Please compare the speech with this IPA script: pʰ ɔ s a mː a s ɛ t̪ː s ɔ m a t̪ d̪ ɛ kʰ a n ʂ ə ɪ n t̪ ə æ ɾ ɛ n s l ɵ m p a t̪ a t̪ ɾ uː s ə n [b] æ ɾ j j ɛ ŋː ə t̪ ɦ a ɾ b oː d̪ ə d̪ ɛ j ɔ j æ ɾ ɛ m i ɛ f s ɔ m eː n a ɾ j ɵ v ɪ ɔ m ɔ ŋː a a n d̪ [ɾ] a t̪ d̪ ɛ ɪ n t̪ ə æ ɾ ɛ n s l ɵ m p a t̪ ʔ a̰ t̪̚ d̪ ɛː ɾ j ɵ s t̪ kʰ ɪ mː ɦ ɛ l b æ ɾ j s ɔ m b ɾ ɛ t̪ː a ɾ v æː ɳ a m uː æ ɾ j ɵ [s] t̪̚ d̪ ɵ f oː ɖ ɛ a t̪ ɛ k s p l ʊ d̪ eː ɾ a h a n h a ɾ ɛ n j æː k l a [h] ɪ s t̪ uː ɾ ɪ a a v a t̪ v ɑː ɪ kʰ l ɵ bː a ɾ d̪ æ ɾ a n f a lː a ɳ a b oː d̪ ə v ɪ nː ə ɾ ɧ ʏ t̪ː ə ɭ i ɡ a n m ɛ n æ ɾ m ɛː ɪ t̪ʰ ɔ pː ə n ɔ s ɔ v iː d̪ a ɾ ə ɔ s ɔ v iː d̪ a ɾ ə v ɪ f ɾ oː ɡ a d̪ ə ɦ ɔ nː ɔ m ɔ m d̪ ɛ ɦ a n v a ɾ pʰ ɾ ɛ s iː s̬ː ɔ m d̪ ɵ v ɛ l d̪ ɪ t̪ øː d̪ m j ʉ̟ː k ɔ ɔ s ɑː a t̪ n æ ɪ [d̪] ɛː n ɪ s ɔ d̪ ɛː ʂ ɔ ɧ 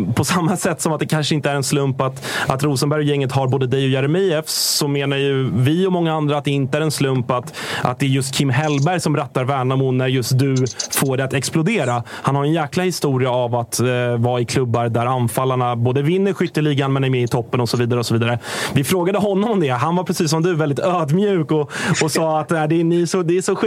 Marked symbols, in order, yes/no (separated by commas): yes, yes, yes, yes, yes